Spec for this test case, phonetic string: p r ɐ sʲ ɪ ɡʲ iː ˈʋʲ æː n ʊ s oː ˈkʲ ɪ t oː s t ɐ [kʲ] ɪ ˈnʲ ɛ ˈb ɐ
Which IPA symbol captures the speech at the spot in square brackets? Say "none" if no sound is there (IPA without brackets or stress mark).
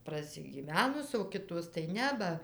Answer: none